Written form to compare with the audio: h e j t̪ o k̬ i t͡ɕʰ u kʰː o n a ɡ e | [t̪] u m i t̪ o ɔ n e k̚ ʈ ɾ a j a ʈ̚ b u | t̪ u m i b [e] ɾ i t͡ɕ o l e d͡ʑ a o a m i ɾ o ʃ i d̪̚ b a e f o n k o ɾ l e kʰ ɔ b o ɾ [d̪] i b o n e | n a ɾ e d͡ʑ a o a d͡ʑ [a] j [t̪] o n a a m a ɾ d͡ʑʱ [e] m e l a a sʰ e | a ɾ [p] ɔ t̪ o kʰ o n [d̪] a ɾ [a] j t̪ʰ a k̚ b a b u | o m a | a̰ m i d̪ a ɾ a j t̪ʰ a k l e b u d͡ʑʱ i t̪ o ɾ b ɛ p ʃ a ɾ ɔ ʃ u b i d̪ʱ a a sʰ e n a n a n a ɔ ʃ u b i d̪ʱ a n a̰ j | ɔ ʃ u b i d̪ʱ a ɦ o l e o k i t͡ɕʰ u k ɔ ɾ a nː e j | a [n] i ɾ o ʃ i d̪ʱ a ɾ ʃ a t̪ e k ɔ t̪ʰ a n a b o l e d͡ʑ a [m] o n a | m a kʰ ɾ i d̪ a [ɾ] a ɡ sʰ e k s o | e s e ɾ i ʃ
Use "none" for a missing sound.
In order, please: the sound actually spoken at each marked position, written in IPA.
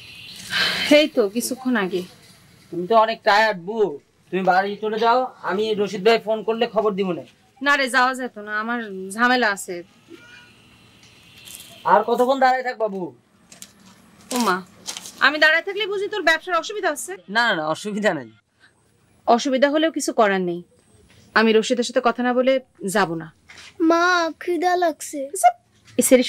t̪, a, d̪, a, t̪, a, k, d̪, a, m, b, l

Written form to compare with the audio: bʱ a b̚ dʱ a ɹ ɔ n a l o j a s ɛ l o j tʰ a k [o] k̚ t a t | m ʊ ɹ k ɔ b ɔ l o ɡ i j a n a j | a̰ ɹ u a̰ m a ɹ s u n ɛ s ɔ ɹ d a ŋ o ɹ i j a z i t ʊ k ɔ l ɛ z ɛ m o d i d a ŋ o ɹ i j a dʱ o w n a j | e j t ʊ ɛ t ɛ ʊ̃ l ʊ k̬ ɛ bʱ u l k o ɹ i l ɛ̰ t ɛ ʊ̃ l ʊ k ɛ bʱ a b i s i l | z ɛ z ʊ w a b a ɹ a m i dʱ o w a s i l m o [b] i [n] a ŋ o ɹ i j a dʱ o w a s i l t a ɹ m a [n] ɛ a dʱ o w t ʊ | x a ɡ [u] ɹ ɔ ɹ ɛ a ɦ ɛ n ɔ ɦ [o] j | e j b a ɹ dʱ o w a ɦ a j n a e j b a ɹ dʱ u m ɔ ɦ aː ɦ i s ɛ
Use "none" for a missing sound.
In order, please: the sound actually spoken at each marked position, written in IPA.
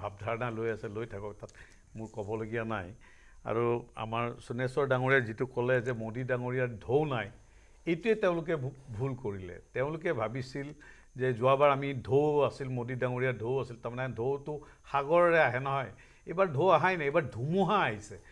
ɔ, d, d, n, ɔ, ɔ

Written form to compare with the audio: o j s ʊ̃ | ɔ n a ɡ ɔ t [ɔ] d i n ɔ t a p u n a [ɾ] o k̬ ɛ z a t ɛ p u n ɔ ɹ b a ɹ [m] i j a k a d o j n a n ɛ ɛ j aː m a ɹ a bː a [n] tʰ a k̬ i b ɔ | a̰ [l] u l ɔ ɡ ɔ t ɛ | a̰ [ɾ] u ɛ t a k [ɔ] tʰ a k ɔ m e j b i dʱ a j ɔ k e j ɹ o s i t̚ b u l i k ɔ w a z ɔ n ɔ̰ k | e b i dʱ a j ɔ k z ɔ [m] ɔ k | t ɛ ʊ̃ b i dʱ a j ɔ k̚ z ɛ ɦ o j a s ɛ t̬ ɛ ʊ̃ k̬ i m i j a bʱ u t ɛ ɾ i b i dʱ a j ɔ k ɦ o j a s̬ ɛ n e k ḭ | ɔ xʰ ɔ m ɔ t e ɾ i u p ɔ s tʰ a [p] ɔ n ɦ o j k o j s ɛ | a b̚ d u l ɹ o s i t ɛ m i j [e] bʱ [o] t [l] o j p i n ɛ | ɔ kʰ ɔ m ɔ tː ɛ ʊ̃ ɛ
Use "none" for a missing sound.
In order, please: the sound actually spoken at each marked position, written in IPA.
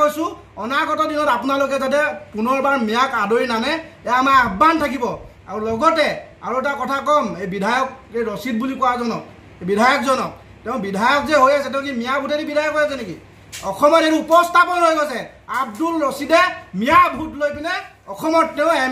ɔ, l, m, n, ɹ, ɹ, ɔ, n, p, a, u, l

